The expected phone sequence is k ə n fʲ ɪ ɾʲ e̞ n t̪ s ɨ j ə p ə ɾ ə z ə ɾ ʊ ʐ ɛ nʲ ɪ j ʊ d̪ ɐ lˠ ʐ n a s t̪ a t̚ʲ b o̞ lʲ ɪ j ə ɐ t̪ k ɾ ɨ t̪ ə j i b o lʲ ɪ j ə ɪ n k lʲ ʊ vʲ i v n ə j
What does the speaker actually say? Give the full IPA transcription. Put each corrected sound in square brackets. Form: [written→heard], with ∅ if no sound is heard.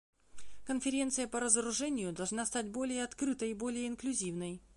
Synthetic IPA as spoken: k ə n fʲ ɪ ɾʲ e̞ n t̪ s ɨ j ə p ə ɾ ə z ə ɾ ʊ ʐ ɛ nʲ ɪ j ʊ d̪ ɐ lˠ ʐ n a s t̪ a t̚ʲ b o̞ lʲ ɪ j ə ɐ t̪ k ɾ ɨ t̪ ə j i b o lʲ ɪ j ə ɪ n k lʲ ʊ [vʲ→zʲ] i v n ə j